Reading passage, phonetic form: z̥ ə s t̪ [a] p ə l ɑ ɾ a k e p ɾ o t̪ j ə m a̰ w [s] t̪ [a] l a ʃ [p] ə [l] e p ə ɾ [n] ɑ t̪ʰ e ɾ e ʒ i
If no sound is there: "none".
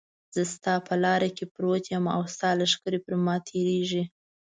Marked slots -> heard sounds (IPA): ɑ, s, ɑ, k, ɾ, m

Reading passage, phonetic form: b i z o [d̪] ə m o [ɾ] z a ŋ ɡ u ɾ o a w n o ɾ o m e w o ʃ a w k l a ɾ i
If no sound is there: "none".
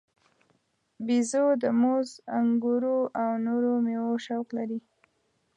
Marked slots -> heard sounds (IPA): d̪, none

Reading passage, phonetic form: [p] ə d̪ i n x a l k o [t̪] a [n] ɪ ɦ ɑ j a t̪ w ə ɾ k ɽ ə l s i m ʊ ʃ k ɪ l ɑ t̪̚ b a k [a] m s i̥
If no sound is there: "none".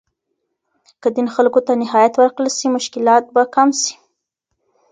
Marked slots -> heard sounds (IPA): k, t̪, n, a

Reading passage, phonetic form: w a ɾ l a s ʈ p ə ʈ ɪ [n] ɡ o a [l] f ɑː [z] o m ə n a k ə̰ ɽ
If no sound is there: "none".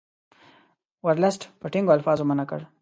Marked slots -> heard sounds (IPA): ŋ, l, z

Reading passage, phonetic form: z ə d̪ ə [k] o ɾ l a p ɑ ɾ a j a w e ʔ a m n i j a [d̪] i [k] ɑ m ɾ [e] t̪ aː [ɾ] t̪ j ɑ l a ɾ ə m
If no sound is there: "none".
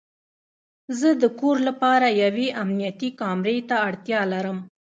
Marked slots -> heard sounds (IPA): k, t̪, k, e, ɽ

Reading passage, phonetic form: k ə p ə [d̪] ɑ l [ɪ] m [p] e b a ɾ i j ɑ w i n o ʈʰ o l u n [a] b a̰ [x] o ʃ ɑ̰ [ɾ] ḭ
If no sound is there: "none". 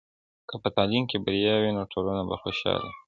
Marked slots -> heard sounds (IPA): t̪, i, k, a, x, l

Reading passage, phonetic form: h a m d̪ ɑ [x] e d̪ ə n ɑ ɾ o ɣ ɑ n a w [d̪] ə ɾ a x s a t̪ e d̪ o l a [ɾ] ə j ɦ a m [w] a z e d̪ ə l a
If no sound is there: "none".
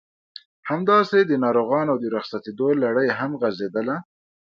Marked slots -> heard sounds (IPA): s, d̪, ɽ, ɣ

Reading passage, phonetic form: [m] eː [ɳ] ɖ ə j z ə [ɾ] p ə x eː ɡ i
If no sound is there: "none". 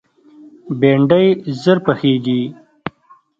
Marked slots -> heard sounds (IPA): b, ɳ, ɾ

